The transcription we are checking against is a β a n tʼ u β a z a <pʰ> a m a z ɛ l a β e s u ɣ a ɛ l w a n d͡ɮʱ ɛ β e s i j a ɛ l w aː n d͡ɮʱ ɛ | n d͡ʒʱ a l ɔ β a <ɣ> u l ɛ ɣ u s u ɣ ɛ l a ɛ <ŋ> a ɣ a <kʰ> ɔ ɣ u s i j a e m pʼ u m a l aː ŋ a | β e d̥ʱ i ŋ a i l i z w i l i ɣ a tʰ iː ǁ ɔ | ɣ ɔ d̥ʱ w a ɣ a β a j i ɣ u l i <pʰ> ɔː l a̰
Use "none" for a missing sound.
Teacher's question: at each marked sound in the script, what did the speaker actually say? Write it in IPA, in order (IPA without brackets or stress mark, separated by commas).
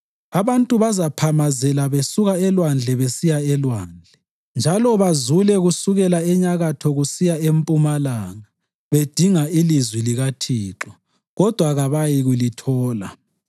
pʰ, z, ɲ, tʰ, tʰ